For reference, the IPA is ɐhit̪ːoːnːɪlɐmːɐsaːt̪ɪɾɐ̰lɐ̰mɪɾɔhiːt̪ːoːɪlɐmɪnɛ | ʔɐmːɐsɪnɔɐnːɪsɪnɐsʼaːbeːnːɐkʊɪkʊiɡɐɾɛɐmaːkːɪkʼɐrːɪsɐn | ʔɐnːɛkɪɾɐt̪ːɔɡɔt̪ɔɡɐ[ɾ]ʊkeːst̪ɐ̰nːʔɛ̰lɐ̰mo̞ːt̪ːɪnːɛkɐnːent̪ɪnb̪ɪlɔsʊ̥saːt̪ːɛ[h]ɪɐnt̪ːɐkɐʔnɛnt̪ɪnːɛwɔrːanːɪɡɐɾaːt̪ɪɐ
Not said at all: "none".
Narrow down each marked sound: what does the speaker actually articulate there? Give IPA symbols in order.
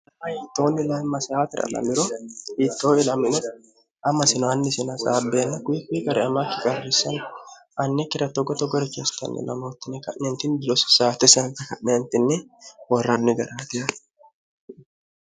ɾ, s

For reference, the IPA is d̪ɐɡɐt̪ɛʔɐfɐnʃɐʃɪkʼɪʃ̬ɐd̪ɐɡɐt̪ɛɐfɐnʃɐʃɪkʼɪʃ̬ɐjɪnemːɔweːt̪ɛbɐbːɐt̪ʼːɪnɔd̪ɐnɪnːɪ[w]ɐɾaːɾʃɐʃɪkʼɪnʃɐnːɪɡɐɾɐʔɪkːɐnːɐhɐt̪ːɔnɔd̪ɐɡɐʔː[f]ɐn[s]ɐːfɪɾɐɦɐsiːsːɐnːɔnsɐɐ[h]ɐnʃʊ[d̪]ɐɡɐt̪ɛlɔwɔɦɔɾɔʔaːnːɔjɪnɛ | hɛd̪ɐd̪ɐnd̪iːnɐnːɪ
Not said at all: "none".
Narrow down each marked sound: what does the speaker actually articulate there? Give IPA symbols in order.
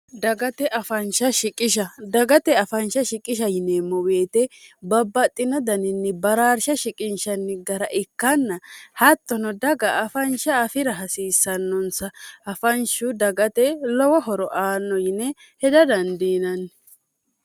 b, f, ʃ, f, d̪

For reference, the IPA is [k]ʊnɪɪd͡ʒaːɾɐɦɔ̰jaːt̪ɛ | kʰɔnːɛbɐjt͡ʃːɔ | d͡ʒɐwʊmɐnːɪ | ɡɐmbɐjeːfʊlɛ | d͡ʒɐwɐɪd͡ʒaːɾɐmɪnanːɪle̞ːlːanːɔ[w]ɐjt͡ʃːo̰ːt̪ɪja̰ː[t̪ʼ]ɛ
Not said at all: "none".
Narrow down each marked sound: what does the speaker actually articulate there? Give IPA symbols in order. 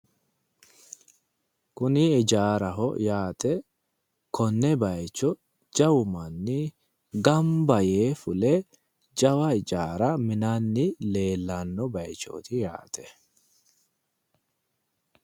k, b, t̪

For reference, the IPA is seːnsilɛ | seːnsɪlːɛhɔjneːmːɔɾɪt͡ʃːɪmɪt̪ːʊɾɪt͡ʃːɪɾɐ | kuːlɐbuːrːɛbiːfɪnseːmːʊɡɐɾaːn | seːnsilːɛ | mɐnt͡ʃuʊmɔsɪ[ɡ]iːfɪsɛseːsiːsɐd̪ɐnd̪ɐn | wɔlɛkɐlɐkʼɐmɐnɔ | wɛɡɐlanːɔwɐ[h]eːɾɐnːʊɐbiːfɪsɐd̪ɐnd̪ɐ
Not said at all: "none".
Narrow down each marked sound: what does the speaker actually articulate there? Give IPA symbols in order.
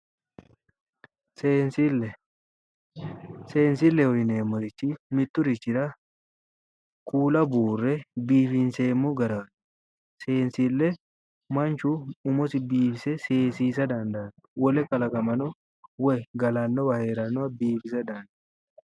b, h

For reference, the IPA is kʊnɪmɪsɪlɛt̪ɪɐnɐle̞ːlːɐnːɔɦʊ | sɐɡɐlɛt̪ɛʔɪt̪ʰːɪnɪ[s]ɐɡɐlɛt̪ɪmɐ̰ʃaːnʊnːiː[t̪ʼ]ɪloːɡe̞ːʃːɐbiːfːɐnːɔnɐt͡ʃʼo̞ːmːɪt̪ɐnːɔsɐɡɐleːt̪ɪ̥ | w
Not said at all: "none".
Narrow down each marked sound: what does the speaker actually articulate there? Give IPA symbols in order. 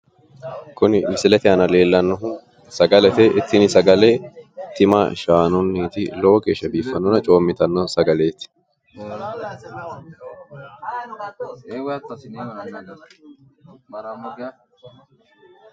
s, t̪

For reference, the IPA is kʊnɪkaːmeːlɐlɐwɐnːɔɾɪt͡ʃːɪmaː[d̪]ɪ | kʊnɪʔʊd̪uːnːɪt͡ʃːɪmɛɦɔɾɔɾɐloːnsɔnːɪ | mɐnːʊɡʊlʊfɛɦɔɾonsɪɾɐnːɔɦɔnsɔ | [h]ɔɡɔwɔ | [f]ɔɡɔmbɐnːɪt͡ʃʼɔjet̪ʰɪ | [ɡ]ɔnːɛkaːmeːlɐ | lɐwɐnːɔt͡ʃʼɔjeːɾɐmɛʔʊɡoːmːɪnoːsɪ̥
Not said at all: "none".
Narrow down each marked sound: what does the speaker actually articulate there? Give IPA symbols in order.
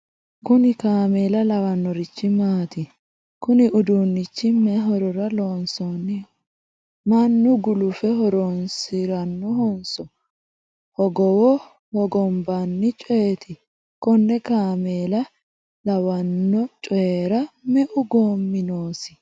t̪, h, h, k

